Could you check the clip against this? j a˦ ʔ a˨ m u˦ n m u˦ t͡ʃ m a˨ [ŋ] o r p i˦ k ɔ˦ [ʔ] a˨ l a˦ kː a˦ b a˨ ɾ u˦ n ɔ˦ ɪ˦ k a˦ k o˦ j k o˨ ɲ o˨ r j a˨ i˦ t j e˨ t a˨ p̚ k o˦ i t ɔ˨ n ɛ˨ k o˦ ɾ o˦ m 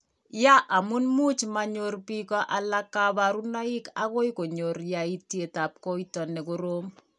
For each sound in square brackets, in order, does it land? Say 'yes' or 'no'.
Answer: no, yes

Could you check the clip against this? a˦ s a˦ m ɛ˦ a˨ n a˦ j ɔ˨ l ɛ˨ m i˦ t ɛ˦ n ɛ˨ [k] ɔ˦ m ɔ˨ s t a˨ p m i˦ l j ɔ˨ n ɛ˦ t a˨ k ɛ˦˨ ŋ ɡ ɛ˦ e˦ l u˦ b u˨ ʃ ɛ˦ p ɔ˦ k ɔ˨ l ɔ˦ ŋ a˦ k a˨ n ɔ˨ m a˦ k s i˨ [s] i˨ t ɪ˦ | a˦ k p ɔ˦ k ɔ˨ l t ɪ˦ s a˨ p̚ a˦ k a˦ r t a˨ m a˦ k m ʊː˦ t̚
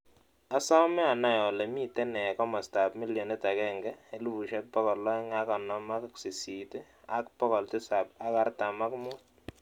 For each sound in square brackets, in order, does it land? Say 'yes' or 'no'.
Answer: yes, yes

